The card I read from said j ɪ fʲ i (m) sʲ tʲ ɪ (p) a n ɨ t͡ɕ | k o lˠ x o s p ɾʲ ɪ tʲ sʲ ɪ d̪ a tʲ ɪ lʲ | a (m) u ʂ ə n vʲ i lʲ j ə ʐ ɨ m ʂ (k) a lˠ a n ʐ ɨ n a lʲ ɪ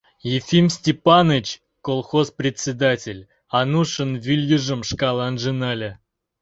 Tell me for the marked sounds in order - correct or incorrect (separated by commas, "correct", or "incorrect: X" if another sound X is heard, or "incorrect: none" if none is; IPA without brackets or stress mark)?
correct, correct, incorrect: n, correct